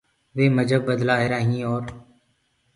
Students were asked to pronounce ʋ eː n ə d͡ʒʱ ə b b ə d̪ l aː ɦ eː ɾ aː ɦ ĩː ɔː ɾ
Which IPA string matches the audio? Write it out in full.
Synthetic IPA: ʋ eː m ə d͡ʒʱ ə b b ə d̪ l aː ɦ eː ɾ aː ɦ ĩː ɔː ɾ